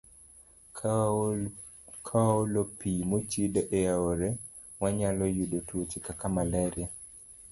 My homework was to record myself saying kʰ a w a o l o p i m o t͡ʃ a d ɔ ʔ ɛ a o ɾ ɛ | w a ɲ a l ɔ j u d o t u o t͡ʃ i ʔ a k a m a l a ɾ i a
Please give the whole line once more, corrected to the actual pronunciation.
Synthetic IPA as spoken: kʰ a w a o l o p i m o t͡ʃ i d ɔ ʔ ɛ a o ɾ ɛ | w a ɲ a l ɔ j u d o t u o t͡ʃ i k a k a m a l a ɾ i a